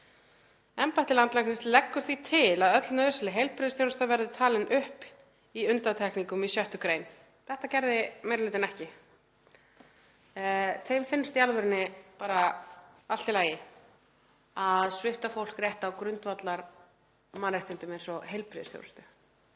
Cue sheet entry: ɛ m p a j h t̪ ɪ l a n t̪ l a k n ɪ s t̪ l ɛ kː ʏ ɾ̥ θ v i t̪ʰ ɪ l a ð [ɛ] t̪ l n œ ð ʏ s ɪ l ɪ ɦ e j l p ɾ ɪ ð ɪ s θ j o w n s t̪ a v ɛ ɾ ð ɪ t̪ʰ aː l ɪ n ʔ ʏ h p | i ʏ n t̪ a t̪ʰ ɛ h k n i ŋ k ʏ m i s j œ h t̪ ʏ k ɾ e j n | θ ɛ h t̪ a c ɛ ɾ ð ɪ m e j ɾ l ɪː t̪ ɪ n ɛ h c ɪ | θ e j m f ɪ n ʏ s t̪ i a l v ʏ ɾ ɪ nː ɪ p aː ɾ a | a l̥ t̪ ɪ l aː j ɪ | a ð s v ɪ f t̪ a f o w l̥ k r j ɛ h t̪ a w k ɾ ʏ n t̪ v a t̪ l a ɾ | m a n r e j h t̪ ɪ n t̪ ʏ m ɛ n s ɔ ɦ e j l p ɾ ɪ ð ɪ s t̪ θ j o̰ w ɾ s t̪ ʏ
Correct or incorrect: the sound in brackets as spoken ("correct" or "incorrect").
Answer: incorrect